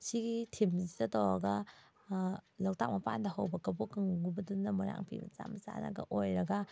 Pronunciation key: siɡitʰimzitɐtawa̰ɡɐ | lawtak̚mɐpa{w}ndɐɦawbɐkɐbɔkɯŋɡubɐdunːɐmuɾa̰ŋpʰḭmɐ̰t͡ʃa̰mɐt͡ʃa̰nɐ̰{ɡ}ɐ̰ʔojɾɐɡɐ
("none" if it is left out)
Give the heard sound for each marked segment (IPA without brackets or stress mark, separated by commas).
none, ɡ